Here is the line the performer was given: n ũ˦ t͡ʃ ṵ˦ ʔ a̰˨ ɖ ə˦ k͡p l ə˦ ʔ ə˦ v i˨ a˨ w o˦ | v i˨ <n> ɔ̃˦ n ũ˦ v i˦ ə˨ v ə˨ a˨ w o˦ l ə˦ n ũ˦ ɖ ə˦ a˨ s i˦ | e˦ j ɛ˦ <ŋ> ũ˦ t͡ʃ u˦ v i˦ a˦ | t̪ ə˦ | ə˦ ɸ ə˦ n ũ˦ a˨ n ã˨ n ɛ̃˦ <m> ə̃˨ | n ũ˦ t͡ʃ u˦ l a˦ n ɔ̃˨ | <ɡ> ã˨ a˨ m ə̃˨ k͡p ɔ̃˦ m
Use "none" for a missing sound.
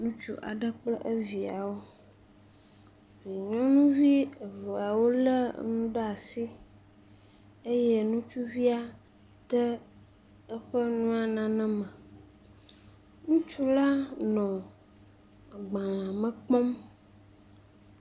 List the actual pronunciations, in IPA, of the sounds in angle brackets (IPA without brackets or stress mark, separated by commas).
ɲ, n, m, ɡ͡b